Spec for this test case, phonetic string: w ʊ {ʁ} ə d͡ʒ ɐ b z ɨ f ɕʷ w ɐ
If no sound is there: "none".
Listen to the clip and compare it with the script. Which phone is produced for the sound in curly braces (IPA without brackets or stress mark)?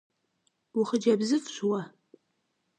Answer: χ